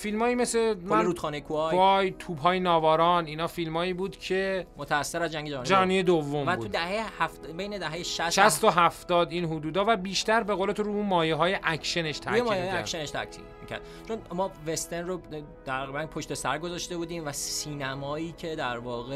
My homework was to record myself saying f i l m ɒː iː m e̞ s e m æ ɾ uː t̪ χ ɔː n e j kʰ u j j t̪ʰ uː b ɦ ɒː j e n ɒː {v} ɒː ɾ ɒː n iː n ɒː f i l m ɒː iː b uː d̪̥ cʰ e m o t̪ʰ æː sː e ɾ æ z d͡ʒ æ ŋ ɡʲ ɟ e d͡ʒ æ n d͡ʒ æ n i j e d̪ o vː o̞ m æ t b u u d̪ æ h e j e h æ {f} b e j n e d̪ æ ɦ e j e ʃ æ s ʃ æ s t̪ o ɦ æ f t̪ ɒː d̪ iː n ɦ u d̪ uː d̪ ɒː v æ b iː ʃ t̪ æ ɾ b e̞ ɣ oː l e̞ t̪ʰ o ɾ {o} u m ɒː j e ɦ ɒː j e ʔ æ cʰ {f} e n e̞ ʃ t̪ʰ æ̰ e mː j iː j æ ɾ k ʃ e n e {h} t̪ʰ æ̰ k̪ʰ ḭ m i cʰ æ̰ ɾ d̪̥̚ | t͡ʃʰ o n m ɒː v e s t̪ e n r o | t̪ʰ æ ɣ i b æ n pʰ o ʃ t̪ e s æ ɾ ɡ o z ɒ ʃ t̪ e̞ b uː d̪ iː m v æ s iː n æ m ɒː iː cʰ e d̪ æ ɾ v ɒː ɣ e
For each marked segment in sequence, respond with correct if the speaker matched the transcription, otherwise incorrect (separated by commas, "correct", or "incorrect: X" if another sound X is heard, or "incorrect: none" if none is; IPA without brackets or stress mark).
correct, correct, incorrect: u, incorrect: ʃ, incorrect: ʃ